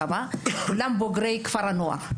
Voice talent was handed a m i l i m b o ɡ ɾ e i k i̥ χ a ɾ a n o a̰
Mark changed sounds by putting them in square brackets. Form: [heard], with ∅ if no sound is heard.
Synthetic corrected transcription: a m [a] l [a] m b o ɡ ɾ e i k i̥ [f] a ɾ a n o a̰